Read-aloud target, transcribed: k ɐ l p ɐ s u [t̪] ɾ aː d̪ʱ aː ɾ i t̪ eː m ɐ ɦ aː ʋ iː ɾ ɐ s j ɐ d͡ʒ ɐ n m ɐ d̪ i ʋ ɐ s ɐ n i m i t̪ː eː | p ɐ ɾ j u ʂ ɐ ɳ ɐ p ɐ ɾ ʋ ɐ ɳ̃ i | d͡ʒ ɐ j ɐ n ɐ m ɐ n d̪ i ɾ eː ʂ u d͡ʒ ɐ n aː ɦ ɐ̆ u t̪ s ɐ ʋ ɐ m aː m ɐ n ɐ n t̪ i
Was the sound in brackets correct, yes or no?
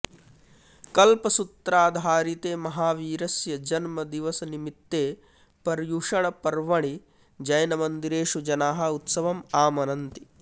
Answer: yes